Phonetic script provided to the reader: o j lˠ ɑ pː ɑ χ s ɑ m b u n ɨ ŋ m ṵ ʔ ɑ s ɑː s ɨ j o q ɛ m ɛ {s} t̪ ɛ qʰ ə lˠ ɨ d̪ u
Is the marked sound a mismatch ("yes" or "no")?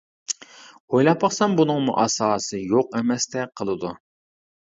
no